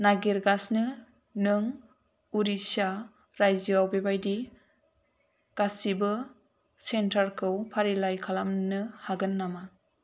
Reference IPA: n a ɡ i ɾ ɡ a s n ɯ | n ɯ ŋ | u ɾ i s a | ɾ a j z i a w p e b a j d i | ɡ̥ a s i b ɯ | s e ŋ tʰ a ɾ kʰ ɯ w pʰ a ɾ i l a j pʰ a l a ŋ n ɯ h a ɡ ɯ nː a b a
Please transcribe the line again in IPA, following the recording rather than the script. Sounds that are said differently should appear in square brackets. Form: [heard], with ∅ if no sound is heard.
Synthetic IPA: n a ɡ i ɾ ɡ a s n ɯ | n ɯ ŋ | u ɾ i s a | ɾ a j z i a w [b] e b a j d i | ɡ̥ a s i b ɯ | s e [n] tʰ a ɾ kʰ ɯ w pʰ a ɾ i l a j [kʰ] a l a [m] n ɯ h a ɡ ɯ nː a [m] a